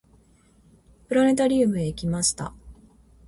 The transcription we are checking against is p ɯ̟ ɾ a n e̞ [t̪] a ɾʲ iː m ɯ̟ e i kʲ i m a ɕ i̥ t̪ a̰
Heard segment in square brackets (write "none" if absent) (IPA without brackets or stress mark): t̪